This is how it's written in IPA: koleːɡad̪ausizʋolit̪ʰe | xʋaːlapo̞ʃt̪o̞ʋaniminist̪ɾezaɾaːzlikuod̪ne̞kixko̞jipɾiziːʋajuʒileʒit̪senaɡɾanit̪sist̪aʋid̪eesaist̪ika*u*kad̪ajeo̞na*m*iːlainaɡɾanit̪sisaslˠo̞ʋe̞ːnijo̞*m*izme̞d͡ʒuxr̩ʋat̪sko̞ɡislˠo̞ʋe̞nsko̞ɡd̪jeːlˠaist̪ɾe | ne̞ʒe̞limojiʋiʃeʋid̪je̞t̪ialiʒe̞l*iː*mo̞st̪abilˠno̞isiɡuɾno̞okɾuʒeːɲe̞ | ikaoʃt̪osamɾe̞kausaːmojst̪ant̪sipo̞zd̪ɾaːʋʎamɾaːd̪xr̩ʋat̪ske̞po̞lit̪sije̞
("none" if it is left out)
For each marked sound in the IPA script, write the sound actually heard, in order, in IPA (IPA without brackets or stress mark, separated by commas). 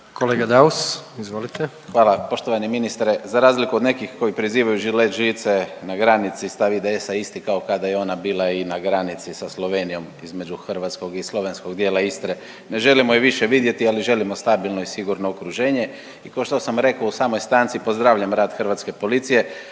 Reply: o, b, m, i